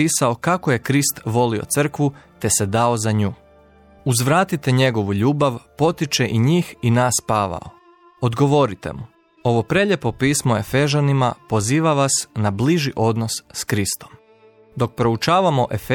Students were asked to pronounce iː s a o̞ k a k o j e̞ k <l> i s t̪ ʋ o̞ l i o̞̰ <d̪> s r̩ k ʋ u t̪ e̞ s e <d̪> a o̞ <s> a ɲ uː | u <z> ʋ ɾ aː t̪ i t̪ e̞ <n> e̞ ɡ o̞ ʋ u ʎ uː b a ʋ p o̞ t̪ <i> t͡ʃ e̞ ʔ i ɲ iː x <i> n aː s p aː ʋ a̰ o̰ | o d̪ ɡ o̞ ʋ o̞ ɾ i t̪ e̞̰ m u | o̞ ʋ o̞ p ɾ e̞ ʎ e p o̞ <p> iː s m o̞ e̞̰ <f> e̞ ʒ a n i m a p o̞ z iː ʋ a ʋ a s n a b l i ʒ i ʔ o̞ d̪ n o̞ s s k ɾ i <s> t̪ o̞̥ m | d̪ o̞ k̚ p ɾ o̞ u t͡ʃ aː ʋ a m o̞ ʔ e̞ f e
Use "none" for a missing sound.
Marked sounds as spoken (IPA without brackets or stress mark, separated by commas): ɾ, t̪, d̪, z, z, ɲ, i, i, p, f, s